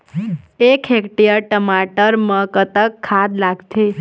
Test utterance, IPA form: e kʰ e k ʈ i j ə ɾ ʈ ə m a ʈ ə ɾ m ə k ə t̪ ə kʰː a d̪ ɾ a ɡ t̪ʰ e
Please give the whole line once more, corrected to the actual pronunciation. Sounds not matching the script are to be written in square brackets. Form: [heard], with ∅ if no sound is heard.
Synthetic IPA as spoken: e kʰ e k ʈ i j ə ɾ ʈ ə m a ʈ ə ɾ m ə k ə t̪ ə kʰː a d̪ [l] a ɡ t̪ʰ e